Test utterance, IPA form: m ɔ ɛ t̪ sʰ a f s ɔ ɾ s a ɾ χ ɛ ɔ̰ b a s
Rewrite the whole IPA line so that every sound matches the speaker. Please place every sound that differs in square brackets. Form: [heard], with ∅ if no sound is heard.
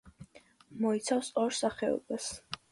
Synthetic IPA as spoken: m ɔ [i] t̪ sʰ a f s ɔ ɾ s a [∅] χ ɛ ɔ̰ b a s